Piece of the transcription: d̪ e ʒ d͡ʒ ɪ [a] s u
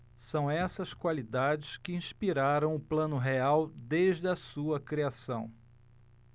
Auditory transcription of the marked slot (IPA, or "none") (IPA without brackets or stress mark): ɐ